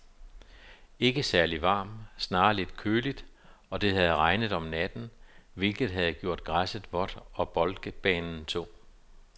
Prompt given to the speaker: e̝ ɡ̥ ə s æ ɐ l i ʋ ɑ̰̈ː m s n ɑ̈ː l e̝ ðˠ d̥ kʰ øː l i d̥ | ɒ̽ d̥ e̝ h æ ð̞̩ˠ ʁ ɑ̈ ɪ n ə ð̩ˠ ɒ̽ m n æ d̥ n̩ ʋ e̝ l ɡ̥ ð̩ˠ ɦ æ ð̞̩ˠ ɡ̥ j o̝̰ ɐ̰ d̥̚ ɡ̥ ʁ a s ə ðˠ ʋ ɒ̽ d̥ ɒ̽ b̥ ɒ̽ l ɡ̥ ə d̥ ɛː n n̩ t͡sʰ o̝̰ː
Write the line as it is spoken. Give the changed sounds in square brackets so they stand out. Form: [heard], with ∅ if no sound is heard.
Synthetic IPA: e̝ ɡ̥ ə s æ ɐ l i ʋ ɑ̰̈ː m s n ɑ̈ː l e̝ [∅] d̥ kʰ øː l i d̥ | ɒ̽ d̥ e̝ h æ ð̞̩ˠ ʁ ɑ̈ ɪ n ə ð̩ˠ ɒ̽ m n æ d̥ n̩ ʋ e̝ l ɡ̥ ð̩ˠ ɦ æ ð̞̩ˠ ɡ̥ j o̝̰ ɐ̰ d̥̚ ɡ̥ ʁ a s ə ðˠ ʋ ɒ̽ d̥ ɒ̽ b̥ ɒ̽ l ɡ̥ ə [b̥] ɛː n n̩ t͡sʰ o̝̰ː